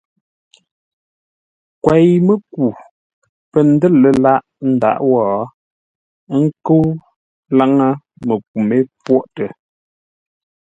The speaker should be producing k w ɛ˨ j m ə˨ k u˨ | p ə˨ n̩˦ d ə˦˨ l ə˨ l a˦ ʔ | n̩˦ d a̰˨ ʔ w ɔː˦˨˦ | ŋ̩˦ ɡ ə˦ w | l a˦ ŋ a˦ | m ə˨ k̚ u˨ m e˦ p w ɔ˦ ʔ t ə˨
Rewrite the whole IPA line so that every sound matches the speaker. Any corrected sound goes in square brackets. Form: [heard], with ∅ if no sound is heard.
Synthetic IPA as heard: k w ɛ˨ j m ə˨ k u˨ | p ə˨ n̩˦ d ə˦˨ l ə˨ l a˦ ʔ | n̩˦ d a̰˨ ʔ w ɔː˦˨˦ | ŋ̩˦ [k] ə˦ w | l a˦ ŋ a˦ | m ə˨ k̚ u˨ m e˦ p w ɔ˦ ʔ t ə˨